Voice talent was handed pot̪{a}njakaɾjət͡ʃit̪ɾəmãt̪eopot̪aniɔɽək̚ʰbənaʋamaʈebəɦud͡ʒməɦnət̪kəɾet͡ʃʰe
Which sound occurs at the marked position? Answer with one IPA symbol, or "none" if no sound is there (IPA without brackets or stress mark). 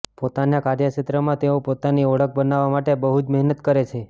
a